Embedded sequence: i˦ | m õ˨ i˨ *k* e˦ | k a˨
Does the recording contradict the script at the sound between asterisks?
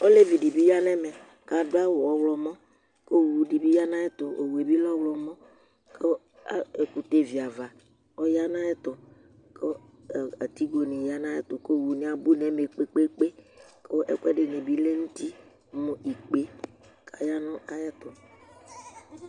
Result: yes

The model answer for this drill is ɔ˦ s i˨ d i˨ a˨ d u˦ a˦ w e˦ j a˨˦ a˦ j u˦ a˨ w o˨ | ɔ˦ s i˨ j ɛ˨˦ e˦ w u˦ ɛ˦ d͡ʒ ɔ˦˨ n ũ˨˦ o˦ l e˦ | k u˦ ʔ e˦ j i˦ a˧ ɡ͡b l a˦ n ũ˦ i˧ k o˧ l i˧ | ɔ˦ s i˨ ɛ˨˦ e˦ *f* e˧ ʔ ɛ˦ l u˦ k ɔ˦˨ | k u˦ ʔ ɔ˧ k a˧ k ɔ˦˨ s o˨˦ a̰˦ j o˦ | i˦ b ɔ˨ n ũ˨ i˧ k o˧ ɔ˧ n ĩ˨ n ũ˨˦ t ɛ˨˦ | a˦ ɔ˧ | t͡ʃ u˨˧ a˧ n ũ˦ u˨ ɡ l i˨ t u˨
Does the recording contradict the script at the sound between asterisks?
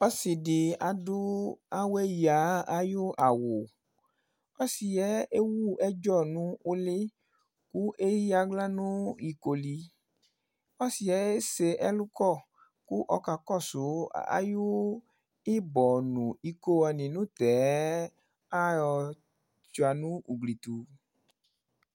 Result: yes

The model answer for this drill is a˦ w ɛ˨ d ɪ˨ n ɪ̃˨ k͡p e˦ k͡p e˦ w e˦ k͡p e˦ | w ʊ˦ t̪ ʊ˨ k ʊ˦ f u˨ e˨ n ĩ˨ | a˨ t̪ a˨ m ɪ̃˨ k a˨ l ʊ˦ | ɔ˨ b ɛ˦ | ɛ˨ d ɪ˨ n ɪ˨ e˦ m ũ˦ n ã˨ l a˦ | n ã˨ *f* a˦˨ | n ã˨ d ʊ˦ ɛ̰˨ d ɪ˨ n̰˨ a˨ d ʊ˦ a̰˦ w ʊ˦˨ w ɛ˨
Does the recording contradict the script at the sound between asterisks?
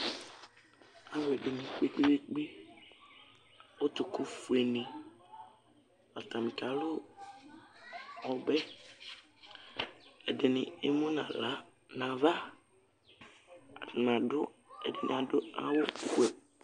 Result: yes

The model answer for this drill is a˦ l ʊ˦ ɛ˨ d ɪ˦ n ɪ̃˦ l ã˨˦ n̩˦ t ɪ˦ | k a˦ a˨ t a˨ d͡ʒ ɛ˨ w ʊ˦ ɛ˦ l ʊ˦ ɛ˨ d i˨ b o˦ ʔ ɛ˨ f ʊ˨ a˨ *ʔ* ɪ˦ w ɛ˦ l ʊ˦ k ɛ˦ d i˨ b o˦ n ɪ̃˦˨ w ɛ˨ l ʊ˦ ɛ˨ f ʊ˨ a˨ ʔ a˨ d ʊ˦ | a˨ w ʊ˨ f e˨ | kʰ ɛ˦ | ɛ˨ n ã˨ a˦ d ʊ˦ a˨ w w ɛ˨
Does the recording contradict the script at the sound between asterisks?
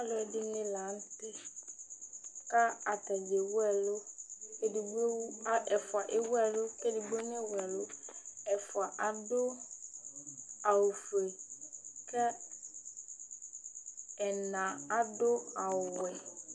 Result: no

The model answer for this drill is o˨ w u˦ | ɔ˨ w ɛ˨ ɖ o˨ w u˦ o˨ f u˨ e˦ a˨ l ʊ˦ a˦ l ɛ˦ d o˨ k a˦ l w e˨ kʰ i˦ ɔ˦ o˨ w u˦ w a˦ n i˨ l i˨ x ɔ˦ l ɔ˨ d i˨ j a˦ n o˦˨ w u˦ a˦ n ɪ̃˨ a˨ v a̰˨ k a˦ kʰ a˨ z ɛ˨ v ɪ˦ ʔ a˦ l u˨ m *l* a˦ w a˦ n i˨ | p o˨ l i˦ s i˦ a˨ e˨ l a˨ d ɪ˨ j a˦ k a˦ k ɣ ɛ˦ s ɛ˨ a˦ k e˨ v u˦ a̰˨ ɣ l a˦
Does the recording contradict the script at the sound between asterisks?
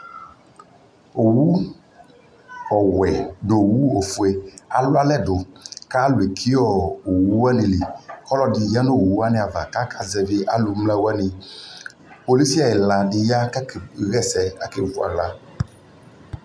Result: no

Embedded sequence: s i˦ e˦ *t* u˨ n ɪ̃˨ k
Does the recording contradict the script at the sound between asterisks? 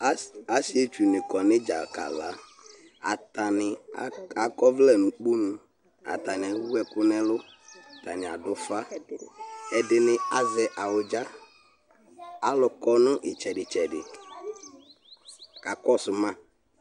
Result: yes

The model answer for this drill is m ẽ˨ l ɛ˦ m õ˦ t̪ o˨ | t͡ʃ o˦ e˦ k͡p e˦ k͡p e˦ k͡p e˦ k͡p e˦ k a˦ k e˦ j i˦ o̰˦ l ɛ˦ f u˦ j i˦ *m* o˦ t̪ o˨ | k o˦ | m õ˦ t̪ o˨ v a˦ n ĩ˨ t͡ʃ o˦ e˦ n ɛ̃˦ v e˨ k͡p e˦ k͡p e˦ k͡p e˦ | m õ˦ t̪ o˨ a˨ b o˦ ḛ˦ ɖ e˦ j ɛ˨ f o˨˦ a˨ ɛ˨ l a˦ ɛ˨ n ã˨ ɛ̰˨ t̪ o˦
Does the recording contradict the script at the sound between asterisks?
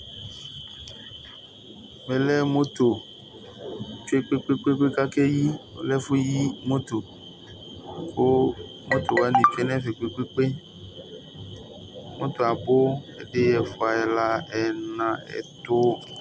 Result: no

